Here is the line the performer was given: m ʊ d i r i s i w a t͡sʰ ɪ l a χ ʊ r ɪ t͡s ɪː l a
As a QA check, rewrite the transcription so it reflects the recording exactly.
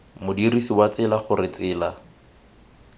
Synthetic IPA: m ʊ d i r i s i w a t͡s ɪ l a χ ʊ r ɪ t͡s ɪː l a

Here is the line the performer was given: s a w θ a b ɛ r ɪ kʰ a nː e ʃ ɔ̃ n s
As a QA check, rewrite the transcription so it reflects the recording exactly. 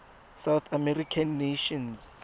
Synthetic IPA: s a w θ a m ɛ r i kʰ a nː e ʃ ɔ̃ n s

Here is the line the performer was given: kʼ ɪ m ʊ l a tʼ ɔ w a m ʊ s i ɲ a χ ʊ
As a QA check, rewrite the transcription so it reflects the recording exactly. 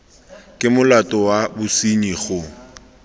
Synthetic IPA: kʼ ɪ m ʊ l a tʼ ɔ w a b ʊ s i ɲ i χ ʊ

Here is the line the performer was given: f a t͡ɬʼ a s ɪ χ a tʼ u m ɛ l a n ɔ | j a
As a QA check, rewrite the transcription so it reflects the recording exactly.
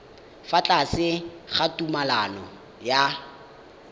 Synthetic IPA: f a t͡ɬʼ a s ɪ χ a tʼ u m a l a n ɔ | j a

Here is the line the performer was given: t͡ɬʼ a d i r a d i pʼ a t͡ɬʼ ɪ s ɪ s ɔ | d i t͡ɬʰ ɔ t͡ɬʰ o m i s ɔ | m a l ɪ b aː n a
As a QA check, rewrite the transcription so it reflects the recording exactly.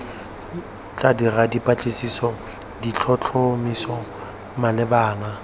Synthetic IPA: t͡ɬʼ a d i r a d i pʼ a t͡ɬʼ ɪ s i s ɔ | d i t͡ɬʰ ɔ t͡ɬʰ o m i s ɔ | m a l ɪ b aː n a

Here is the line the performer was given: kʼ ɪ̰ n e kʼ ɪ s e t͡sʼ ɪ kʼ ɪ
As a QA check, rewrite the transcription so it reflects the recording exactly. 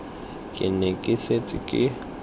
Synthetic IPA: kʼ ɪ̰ n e kʼ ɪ s e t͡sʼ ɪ kʼ ɪ

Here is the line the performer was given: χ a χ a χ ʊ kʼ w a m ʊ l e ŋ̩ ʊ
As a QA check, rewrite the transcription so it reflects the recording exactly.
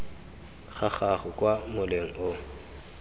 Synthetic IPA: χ a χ a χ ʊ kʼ w a m ʊ l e ŋ̩ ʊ

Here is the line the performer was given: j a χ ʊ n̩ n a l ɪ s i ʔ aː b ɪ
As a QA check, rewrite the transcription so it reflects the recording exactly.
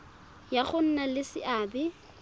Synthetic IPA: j a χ ʊ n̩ n a l ɪ s ɪ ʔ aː b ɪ

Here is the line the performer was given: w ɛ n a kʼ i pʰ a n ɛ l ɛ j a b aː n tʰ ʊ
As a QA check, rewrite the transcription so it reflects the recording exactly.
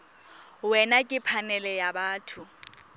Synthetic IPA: w ɛ n a kʼ ɪ pʰ a n ɛ l ɛ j a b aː tʰ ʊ

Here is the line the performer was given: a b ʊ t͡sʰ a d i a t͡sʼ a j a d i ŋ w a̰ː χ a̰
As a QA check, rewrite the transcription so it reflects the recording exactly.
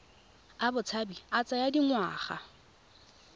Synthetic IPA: a b ʊ t͡sʰ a b i a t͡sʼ a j a d i ŋ w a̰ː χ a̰

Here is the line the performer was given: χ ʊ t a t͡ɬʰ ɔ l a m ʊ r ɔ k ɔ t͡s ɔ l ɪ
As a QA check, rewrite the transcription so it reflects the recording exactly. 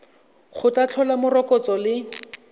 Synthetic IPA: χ ʊ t a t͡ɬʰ ɔ l a m ʊ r ɔ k ɔ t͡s ɔ l ɪ

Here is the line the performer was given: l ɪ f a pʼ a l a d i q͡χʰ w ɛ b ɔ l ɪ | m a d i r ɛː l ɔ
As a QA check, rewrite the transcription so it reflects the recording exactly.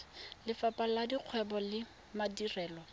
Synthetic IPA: l ɪ f a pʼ a l a d i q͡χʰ w ɛ b ɔ l ɪ | m a d i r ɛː l ɔ

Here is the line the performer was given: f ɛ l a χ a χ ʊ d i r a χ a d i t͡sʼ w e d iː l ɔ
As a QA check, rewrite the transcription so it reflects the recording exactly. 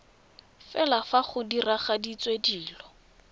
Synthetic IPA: f ɛ l a f a χ ʊ d i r a χ a d i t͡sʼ w e d iː l ɔ

